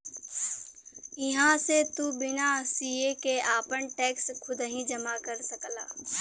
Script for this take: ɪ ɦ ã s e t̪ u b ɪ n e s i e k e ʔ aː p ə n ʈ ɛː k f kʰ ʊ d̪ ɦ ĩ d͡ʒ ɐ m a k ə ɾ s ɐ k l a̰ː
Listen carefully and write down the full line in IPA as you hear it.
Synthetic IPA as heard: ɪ ɦ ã s e t̪ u b ɪ n a s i e k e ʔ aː p ə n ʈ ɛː k s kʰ ʊ d̪ ɦ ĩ d͡ʒ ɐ m a k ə ɾ s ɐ k l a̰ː